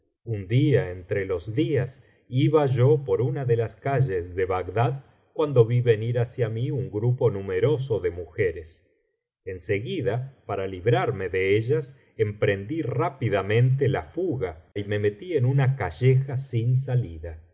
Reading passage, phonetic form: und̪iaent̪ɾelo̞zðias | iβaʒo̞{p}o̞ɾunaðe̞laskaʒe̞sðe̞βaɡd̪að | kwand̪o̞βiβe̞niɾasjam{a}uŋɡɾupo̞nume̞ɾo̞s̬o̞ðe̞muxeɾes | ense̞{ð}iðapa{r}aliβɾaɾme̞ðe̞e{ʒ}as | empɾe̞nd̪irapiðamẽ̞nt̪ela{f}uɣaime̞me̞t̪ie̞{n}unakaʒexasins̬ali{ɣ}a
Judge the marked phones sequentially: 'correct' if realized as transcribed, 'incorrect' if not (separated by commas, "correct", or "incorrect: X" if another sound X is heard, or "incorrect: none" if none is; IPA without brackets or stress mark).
correct, incorrect: i, incorrect: ɣ, incorrect: ɾ, correct, correct, correct, incorrect: ð